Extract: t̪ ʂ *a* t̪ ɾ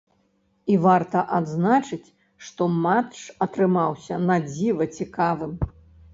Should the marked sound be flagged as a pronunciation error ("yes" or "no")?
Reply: yes